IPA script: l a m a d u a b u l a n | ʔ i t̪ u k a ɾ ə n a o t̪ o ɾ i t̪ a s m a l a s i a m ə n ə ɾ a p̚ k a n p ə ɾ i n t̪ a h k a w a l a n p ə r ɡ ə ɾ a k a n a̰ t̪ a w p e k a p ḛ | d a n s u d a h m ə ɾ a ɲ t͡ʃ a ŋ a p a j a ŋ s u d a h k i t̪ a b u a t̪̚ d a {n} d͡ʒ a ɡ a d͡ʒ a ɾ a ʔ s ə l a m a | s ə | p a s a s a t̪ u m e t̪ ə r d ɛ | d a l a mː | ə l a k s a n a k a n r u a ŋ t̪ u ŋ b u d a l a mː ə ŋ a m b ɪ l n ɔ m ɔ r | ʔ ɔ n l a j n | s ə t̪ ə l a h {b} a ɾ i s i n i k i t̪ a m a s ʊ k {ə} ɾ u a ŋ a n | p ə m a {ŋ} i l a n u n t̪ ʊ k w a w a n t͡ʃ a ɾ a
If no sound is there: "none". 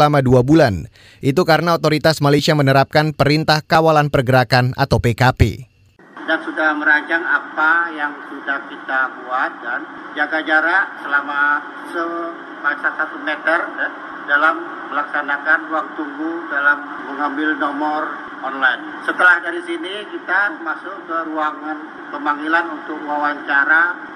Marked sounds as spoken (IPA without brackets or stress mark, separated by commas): n, d, ə, ŋ